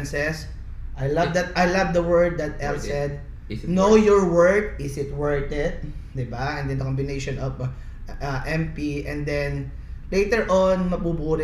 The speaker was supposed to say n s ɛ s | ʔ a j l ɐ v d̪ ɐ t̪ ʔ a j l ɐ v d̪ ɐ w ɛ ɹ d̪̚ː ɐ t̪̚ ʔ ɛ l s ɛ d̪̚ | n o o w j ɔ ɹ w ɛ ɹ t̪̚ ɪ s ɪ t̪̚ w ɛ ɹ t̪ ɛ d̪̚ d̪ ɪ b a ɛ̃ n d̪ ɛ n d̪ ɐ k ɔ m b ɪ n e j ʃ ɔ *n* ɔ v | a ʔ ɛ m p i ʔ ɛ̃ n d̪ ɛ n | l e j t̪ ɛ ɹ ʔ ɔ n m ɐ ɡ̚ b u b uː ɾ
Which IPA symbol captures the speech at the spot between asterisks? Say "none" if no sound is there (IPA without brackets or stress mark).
n